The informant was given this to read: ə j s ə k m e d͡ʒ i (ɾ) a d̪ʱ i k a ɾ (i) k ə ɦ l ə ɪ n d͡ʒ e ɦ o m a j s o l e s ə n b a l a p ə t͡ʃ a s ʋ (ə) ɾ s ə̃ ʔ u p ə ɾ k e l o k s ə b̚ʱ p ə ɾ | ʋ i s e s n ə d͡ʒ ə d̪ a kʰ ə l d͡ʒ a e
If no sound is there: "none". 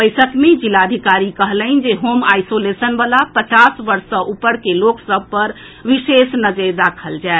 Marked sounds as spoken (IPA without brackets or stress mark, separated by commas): l, i, ə